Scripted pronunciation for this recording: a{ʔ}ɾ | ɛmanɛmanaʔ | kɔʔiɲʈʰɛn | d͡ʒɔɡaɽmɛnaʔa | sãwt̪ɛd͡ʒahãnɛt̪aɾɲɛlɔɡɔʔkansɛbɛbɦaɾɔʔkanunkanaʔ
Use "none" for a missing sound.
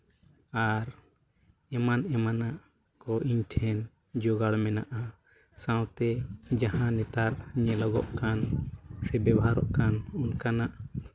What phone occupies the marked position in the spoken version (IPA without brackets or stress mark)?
none